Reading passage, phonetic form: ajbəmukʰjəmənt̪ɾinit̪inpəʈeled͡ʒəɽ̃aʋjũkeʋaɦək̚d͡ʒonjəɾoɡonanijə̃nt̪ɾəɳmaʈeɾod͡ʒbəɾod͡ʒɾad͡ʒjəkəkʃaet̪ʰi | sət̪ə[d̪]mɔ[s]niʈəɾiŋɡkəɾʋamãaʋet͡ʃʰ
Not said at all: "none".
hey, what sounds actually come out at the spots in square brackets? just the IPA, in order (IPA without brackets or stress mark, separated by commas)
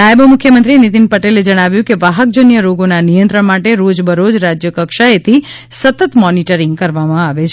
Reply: t̪, none